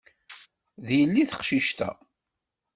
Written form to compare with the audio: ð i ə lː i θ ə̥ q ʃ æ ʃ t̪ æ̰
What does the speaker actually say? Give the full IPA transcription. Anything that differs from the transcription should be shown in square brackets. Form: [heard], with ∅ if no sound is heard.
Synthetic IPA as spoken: ð [j] ə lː i θ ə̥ q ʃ [i] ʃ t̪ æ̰